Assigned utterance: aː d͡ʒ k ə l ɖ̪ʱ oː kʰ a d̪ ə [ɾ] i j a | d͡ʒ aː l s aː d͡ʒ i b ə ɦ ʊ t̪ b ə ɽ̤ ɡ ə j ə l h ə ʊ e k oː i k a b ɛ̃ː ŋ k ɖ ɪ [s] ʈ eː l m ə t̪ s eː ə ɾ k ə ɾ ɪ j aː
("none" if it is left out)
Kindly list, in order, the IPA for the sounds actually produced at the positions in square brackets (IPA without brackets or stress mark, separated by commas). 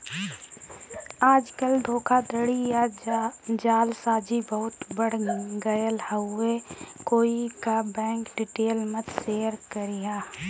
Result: ɽ, none